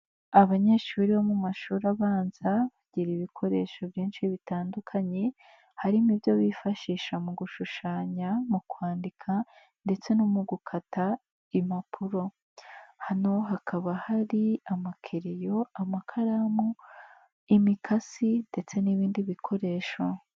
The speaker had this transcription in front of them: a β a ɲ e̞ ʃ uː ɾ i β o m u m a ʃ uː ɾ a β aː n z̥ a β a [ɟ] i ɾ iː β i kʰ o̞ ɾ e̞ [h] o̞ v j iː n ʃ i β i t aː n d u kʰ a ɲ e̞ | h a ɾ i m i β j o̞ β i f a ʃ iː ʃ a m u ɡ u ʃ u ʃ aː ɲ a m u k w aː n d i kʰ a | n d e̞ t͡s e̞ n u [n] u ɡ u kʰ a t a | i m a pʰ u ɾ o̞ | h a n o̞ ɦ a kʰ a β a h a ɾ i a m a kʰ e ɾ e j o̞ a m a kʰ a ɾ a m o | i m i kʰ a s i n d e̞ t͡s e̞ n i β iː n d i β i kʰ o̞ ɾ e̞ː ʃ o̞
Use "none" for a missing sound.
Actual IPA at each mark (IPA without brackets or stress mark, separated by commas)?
ɟ, ʃ, m